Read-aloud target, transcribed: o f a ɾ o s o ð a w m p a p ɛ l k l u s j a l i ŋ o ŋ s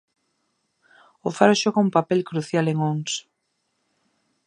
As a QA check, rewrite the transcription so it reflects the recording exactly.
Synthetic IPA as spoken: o f a ɾ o ʃ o ɣ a u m p a p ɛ l k ɾ u θ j a l e ŋ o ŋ s